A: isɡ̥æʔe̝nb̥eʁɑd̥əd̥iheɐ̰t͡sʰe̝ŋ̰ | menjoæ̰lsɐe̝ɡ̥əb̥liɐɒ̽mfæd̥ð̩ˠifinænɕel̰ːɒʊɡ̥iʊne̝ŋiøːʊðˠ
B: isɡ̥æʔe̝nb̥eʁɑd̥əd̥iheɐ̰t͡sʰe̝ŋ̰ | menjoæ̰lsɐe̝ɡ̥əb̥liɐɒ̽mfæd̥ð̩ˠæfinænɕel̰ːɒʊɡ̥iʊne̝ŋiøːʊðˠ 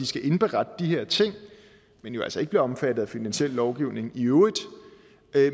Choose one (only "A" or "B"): B